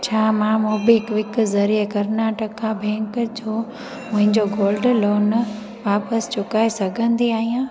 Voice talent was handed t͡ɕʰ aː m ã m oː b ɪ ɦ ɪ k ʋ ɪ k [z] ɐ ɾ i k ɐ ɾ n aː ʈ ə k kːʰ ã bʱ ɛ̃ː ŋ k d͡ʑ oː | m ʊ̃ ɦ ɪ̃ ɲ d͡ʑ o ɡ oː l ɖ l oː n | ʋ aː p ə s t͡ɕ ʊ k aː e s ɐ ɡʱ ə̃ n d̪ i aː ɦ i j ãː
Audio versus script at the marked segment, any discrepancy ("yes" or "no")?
no